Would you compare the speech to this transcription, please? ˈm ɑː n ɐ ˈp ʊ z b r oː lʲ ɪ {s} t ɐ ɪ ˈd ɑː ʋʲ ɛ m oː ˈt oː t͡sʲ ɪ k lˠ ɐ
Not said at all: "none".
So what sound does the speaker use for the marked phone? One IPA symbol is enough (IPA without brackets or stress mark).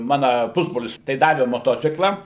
s